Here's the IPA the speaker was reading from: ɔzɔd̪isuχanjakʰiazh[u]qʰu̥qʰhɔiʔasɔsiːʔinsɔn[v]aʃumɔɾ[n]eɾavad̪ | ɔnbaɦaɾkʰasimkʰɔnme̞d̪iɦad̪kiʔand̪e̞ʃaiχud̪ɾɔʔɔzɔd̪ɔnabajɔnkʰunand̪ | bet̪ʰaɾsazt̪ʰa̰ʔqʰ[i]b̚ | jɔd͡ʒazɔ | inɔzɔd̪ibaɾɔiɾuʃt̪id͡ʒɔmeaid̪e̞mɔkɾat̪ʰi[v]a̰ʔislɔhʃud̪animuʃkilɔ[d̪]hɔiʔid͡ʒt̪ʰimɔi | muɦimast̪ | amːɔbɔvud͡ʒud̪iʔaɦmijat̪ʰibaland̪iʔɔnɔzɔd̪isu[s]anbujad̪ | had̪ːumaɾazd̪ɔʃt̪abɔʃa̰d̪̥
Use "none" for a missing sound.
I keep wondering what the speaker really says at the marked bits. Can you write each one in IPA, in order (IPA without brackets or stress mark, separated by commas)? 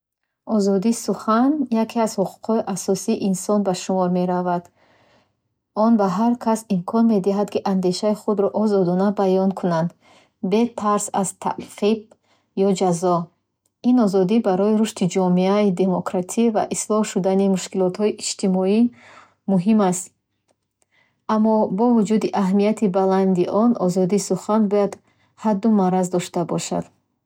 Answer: u, b, m, i, v, t̪, χ